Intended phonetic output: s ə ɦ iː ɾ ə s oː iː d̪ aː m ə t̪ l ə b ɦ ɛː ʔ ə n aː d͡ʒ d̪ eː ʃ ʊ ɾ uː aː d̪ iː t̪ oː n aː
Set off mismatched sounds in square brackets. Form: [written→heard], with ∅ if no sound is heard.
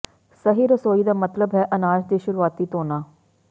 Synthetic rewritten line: s ə ɦ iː ɾ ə s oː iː d̪ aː m ə t̪ l ə b ɦ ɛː ʔ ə n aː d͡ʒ d̪ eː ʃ ʊ ɾ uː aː [d̪→t̪] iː t̪ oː n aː